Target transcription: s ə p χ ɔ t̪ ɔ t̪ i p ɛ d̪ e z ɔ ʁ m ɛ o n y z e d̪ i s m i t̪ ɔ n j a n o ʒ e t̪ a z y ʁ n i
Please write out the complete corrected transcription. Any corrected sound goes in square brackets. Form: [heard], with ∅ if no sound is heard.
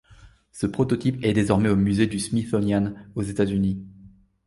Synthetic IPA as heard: s ə p χ ɔ t̪ ɔ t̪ i p ɛ d̪ e z ɔ ʁ m ɛ o [m] y z e d̪ [y] s m i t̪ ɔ n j a n o [z] e t̪ a z y [∅] n i